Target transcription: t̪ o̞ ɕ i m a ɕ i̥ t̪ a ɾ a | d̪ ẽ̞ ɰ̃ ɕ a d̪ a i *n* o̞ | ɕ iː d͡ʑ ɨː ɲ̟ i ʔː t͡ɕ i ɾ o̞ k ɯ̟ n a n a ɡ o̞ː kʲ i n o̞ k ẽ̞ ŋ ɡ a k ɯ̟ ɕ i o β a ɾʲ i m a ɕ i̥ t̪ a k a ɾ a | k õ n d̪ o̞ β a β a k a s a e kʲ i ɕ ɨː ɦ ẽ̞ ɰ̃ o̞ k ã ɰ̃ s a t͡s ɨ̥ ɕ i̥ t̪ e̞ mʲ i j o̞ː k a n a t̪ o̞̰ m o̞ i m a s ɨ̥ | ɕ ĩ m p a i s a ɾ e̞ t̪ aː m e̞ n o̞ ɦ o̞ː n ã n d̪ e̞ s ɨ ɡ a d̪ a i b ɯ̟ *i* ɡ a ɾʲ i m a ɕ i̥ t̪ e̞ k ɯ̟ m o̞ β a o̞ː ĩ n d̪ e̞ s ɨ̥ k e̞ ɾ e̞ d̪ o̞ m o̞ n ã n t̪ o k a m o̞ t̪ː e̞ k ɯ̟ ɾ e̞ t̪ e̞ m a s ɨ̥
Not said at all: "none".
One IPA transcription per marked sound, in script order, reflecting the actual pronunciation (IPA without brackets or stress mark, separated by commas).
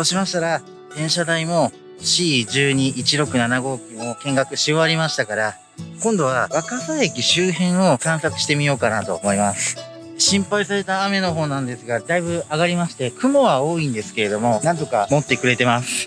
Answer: m, a